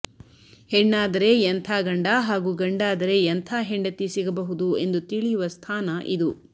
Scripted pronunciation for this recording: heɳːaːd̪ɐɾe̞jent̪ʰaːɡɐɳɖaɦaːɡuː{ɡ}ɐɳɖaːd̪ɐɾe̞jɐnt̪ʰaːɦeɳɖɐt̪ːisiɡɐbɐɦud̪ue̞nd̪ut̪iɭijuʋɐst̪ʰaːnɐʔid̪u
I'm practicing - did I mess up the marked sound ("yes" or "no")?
no